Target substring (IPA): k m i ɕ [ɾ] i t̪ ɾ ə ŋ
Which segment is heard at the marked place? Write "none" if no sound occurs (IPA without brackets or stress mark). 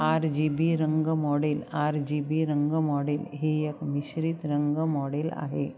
ɾ